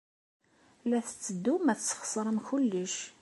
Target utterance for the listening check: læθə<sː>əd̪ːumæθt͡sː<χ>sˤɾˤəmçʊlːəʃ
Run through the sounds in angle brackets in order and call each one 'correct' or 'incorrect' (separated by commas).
incorrect, correct